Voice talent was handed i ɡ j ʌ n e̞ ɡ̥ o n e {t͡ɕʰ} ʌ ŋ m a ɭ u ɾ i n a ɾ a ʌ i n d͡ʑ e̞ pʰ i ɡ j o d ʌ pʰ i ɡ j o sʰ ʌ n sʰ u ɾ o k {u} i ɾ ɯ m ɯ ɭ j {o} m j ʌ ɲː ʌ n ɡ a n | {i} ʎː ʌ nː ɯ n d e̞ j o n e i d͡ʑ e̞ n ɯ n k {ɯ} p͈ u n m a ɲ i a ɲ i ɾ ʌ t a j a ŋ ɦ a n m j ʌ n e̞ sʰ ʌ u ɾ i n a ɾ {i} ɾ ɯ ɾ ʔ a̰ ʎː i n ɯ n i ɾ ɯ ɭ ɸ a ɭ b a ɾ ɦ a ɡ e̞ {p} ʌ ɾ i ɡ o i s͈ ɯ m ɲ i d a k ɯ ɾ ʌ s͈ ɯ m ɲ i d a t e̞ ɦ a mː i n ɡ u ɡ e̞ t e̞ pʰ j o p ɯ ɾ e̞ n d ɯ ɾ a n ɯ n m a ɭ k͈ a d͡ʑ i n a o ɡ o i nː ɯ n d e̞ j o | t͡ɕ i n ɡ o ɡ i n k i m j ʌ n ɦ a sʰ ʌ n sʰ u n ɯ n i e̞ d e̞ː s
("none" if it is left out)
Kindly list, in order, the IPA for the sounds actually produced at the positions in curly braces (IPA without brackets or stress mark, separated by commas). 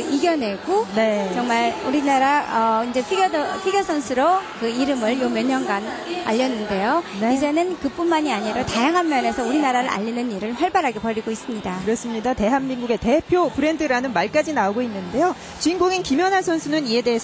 t͡ɕ, ɯ, o, a, ɯ, a, p